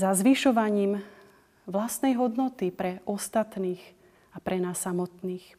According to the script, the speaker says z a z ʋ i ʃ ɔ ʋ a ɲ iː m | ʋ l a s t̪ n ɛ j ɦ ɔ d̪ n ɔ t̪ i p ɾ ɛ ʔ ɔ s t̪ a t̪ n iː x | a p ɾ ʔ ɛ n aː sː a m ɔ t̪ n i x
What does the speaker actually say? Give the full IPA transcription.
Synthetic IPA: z a z ʋ i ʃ ɔ ʋ a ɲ iː m | ʋ l a s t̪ n ɛ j ɦ ɔ d̪ n ɔ t̪ i p ɾ ɛ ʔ ɔ s t̪ a t̪ n iː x | a p ɾ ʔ ɛ n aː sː a m ɔ t̪ n iː x